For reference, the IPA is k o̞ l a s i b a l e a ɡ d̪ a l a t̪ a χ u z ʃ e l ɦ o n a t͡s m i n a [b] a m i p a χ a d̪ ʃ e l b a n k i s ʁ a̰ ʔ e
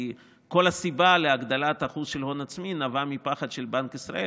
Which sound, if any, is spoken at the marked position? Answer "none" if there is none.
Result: v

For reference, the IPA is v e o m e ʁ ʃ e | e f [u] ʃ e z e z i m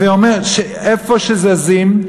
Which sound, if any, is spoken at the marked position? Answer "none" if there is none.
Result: o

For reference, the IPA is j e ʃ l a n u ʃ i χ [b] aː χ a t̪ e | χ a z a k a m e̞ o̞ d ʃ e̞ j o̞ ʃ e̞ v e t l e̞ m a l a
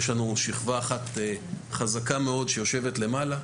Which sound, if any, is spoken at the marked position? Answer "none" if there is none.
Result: v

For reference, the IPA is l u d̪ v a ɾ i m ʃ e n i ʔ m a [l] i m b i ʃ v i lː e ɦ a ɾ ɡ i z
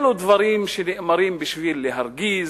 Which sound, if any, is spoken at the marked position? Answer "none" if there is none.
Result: ɾ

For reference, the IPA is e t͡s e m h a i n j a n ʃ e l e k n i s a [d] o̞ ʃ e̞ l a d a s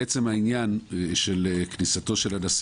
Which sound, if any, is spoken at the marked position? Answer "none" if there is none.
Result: t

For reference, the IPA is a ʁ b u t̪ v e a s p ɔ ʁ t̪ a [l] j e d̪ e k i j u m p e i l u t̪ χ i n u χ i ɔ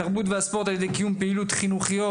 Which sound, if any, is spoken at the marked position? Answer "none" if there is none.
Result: l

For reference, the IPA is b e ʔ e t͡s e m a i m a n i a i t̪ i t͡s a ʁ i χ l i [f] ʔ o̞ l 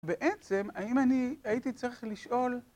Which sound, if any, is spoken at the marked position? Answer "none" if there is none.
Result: ʃ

